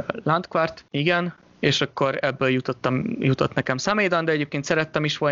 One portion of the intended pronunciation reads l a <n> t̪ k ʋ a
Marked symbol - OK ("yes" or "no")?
yes